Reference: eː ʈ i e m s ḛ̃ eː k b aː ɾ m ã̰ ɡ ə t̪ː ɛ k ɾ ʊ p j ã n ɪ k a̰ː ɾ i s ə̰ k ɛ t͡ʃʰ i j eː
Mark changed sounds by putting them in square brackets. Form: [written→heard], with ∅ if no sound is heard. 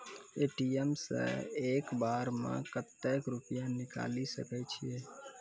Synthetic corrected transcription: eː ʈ i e m s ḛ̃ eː k b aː ɾ m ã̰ [ɡ→k] ə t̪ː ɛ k ɾ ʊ p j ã n ɪ k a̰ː [ɾ→l] i s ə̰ k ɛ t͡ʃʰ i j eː

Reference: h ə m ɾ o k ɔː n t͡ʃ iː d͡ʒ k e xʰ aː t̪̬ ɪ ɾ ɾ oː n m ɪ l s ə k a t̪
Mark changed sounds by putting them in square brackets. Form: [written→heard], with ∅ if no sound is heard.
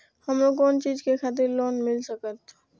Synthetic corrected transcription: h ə m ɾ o k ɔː n t͡ʃ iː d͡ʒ k e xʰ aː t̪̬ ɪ ɾ [ɾ→l] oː n m ɪ l s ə k [a→ə] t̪

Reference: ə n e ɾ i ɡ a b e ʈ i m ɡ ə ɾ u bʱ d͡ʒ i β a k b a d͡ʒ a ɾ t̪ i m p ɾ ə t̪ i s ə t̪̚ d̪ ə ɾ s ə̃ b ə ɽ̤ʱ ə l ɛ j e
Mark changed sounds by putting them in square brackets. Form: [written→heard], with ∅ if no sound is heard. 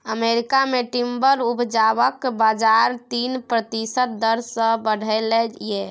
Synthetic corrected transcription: ə [n→m] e ɾ i [ɡ→k] a [b→m] e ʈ i m [ɡ→b] ə ɾ u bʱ d͡ʒ [i→a] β [a→ə] k b a d͡ʒ a ɾ t̪ i [m→n] p ɾ ə t̪ i s ə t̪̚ d̪ ə ɾ s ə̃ b ə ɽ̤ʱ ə l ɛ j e

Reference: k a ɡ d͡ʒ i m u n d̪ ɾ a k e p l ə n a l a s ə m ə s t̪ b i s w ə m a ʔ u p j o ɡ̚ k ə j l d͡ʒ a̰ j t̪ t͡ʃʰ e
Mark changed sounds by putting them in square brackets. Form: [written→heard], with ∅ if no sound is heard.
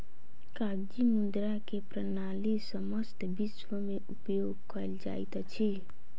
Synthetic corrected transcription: k a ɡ d͡ʒ i m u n d̪ ɾ a k e p [l→ɾ] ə n a l [a→i] s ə m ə s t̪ b i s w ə m [a→e] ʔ u p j o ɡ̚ k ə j l d͡ʒ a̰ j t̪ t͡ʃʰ [e→i]

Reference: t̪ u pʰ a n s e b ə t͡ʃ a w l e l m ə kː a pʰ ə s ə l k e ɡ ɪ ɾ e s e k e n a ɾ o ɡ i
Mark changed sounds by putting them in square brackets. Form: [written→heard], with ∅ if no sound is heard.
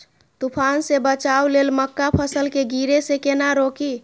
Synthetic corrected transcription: t̪ u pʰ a n s e b ə t͡ʃ a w l e l m ə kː a pʰ ə s ə l k e ɡ [ɪ→i] ɾ e s e k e n a ɾ o [ɡ→k] i

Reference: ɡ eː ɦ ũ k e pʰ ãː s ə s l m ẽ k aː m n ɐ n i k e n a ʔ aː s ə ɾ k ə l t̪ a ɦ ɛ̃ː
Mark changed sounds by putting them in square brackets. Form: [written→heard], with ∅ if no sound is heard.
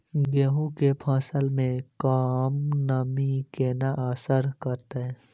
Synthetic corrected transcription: ɡ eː ɦ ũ k e pʰ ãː s ə [s→∅] l m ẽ k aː m n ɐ [n→m] i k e n a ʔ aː s ə ɾ k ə [l→ɾ] t̪ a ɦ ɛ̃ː

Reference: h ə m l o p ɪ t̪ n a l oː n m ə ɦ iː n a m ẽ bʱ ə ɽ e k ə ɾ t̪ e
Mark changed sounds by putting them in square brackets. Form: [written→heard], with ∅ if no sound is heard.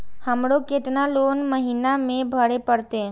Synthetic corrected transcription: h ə m [l→ɽ] o [p→k] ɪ t̪ n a l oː n m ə ɦ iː n a m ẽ bʱ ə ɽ e [k→p] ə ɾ t̪ e

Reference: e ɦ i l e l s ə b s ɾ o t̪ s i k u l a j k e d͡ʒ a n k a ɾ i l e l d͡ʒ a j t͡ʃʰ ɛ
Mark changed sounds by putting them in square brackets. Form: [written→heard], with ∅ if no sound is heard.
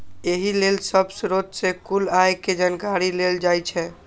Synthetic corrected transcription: e ɦ i l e l s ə b s ɾ o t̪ s [i→e] k u l a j k e d͡ʒ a n k a ɾ i l e l d͡ʒ a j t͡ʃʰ ɛ

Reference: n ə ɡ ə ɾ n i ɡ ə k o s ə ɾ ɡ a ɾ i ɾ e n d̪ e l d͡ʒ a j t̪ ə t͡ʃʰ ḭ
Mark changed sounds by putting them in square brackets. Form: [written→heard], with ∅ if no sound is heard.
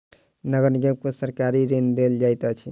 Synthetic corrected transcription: n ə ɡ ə ɾ n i ɡ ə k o s ə ɾ [ɡ→k] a ɾ i ɾ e n d̪ e l d͡ʒ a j t̪ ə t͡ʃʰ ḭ

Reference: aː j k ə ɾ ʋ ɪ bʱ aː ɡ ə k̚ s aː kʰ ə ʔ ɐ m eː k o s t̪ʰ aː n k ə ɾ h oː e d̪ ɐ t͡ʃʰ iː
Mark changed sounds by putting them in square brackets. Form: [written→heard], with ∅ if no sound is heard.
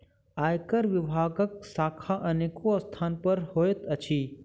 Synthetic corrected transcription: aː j k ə ɾ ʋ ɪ bʱ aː ɡ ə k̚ s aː kʰ [ə→a] ʔ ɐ [m→n] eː k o s t̪ʰ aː n [k→p] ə ɾ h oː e [d̪→t̪] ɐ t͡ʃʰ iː

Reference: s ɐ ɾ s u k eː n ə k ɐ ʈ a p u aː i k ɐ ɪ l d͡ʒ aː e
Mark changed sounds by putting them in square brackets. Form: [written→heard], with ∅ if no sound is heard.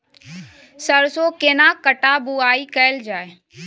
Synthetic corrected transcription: s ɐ ɾ s [u→o] k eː n [ə→a] k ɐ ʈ a [p→b] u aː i k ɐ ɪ l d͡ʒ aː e

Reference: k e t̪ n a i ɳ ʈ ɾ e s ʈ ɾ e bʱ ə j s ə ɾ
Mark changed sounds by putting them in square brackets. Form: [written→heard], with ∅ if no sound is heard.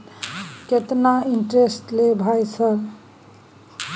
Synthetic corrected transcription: k e t̪ n a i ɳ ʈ ɾ e s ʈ [ɾ→l] e bʱ [ə→a] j s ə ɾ

